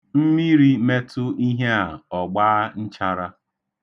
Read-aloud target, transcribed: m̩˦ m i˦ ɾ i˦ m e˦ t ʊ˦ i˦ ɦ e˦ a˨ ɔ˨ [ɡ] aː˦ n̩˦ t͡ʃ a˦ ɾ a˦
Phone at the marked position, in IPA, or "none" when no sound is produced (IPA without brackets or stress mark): ɡ͡b